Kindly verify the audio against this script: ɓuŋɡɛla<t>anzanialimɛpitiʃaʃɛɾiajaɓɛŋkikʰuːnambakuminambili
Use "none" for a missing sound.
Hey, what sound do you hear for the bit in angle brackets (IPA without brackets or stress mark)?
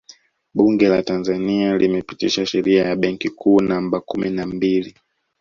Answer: t